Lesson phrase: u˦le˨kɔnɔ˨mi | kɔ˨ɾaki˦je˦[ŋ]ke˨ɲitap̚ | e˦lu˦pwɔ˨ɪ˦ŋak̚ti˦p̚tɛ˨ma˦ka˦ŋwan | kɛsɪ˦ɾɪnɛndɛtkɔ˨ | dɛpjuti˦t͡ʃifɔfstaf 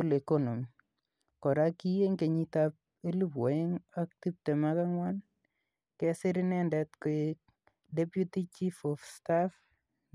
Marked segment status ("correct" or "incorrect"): correct